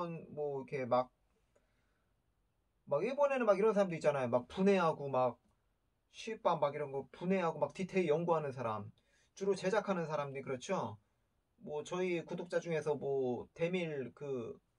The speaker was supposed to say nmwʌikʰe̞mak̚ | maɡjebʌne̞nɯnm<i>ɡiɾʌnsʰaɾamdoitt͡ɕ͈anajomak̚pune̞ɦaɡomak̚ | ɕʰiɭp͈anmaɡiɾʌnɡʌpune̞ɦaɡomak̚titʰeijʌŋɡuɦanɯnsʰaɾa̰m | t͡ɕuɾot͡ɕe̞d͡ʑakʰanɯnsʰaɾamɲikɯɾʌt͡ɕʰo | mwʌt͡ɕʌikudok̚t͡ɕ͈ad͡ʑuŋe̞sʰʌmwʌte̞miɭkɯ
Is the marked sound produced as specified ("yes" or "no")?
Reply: no